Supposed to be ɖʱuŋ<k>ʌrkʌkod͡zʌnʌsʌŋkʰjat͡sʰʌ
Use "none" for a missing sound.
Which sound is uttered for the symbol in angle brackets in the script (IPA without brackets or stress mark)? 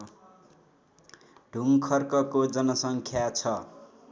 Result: kʰ